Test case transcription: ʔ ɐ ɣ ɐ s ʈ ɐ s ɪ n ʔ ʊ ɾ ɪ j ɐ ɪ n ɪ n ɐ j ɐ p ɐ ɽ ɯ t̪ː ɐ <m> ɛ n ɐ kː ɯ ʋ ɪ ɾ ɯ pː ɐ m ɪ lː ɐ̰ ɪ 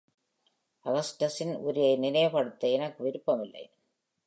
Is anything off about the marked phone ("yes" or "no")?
yes